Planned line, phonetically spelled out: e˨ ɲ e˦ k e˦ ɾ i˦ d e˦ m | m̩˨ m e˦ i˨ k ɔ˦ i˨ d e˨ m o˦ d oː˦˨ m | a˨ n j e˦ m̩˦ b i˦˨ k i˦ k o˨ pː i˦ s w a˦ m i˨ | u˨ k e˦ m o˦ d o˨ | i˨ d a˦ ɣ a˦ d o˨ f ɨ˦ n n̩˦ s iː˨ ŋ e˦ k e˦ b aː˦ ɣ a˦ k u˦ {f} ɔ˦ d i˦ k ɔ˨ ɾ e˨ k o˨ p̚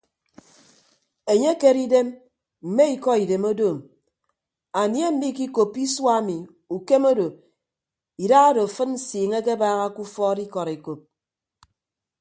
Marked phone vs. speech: correct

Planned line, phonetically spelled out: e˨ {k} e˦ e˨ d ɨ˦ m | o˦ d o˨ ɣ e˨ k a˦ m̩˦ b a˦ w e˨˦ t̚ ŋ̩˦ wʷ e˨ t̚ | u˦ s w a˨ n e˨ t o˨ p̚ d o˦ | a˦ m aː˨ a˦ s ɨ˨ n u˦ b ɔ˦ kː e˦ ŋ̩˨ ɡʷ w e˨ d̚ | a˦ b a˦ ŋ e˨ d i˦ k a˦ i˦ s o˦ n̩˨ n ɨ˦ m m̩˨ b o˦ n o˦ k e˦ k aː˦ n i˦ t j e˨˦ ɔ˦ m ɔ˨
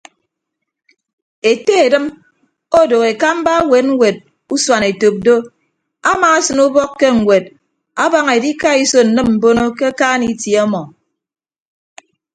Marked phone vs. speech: incorrect: t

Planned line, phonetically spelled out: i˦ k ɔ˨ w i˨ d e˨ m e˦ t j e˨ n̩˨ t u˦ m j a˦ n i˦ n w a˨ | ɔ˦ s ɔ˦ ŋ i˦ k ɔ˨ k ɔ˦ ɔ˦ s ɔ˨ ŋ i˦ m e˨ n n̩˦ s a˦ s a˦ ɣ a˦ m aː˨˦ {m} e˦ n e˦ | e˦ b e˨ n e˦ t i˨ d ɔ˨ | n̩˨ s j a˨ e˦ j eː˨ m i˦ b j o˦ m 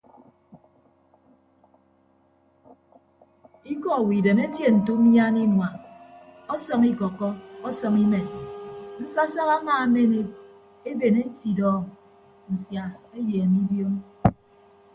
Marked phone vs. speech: correct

